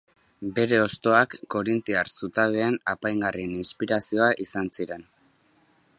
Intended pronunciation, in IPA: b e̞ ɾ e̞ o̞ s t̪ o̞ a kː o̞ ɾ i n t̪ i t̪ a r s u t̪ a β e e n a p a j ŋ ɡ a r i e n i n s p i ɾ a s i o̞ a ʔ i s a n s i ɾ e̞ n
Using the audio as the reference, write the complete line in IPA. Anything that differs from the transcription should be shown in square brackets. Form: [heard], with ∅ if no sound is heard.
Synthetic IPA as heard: b e̞ ɾ e̞ o̞ s t̪ o̞ a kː o̞ ɾ i n t̪ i [∅] a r s u t̪ a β e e n a p a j ŋ ɡ a r i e n i n s p i ɾ a s i o̞ a ʔ i s a n s i ɾ e̞ n